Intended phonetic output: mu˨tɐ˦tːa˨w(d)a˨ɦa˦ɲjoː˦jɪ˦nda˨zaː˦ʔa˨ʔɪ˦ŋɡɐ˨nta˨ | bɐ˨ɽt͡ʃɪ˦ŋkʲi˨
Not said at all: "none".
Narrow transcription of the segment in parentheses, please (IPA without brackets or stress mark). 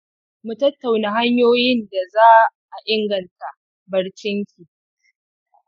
n